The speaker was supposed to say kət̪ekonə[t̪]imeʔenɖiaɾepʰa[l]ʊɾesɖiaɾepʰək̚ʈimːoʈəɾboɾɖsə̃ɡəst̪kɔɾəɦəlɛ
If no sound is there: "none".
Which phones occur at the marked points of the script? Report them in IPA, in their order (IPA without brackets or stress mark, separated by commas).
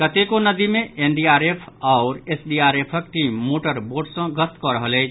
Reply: d̪, none